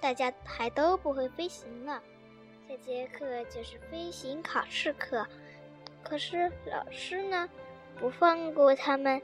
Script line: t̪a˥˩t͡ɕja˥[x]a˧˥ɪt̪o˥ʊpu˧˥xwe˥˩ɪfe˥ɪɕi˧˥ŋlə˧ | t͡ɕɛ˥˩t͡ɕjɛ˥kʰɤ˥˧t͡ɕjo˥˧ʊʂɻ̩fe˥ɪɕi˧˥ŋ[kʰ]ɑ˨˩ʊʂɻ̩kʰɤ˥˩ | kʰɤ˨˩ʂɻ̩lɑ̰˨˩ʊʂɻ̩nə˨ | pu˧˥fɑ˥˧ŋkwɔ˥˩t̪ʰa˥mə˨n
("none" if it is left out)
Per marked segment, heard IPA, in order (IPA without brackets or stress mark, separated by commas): x, kʰ